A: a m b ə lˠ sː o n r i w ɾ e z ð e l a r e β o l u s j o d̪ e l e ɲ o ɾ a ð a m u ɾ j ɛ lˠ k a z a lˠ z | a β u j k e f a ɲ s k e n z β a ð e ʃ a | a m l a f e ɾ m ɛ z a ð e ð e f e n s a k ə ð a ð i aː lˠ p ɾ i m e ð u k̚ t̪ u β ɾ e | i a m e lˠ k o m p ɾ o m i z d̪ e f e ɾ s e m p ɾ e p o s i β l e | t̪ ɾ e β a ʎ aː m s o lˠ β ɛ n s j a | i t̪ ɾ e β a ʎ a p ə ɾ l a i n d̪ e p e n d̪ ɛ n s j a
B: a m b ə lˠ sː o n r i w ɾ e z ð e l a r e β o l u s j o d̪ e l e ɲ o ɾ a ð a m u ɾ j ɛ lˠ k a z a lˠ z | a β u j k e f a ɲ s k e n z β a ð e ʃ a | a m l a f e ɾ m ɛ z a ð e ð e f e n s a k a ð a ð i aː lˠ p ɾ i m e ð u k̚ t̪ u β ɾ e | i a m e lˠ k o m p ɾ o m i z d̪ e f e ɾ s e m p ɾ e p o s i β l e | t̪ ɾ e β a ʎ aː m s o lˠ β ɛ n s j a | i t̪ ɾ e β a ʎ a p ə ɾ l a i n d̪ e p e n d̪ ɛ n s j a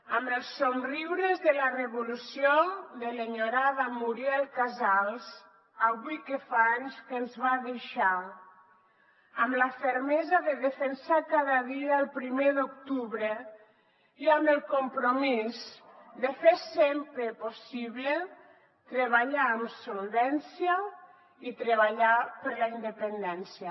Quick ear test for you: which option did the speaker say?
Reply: B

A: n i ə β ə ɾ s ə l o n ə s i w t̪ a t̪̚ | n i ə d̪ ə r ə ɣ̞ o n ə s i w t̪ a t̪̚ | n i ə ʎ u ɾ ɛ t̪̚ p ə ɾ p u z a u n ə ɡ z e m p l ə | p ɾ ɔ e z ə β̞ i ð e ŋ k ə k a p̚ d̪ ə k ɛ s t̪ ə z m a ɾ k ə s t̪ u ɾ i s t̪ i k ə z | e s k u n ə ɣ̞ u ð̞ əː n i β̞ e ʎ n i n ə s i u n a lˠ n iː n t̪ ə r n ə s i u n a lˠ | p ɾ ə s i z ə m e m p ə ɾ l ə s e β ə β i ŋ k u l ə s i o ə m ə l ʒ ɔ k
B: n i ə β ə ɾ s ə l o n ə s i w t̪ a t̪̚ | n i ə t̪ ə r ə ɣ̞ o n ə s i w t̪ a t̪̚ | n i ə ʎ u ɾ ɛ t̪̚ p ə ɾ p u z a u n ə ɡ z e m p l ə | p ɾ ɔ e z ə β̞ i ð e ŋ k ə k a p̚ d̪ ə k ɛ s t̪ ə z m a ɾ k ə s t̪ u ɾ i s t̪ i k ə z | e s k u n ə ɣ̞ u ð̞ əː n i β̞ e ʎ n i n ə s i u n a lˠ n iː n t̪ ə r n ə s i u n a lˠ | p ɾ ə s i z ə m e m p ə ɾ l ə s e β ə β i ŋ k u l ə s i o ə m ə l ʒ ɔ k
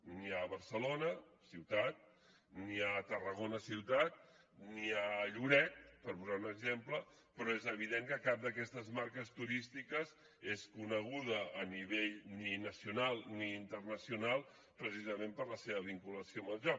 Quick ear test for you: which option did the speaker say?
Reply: B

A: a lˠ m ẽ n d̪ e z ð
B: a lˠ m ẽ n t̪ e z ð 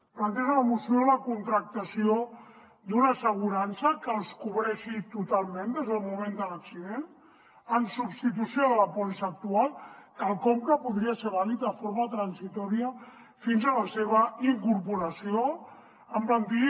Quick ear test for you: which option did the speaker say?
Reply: A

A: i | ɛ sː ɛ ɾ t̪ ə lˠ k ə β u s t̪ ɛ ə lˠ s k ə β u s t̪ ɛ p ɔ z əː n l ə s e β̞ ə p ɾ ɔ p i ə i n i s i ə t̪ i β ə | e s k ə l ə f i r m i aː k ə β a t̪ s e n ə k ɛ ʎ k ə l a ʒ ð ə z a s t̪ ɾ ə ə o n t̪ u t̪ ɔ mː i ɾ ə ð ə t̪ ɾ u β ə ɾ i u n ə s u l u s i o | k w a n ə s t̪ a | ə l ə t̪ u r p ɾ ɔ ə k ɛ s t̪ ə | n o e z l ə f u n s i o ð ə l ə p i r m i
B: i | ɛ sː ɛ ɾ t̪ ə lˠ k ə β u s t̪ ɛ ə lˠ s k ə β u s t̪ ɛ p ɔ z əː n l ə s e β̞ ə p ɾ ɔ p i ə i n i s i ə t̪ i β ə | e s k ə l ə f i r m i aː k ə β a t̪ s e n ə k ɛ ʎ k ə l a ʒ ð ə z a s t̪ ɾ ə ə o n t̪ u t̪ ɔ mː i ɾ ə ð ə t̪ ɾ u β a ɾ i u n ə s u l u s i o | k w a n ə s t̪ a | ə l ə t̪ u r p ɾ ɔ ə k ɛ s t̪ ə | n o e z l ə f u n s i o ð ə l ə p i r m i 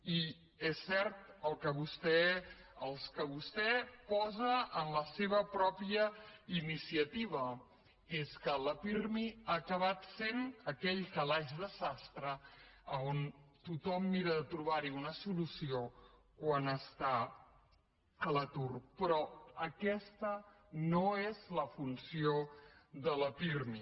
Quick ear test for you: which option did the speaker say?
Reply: B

